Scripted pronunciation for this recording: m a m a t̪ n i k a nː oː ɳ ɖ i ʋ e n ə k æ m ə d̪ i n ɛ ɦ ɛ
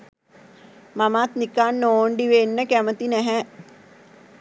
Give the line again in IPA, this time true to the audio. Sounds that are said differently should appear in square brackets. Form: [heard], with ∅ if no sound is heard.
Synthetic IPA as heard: m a m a t̪ n i k a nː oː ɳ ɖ i ʋ e [nː] ə k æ m ə [t̪] i n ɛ ɦ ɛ